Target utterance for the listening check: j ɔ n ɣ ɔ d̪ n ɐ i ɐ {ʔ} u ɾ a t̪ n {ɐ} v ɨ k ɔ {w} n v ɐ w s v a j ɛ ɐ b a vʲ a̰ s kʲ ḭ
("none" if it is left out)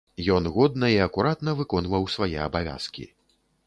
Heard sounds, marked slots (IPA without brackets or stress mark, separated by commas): k, ɐ, none